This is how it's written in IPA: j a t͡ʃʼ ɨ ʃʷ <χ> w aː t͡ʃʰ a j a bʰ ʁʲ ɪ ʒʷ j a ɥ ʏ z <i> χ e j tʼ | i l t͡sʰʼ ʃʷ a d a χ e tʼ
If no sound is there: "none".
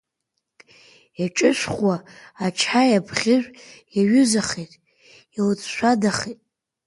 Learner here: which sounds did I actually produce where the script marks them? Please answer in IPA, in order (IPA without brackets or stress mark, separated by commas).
χ, a